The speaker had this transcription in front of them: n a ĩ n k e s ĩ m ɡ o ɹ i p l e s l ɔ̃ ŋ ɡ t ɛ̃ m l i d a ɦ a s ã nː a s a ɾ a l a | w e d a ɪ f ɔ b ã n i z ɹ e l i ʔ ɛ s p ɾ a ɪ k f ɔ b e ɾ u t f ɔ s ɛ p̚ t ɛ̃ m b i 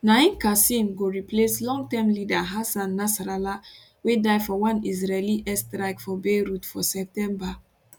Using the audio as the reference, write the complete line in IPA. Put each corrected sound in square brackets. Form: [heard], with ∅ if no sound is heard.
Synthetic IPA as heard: n a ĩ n k [a] s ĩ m ɡ o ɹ i p l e s l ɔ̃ ŋ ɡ t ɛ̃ m l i d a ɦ a s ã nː a s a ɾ a l a | w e d a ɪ f ɔ [w] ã n i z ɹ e l i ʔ ɛ s [t] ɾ a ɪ k f ɔ b e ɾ u t f ɔ s ɛ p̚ t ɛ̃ m b [a]